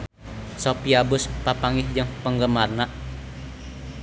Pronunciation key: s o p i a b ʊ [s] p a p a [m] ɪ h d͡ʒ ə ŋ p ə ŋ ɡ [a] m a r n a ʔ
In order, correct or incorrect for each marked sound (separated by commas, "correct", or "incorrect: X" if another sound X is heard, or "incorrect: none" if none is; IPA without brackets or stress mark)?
correct, incorrect: ŋ, incorrect: ə